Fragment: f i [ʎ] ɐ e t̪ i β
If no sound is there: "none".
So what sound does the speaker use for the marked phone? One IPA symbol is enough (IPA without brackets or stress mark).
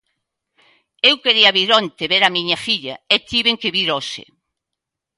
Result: ʎ